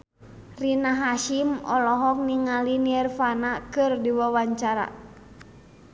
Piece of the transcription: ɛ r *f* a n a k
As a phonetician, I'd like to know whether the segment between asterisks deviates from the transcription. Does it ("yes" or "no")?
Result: no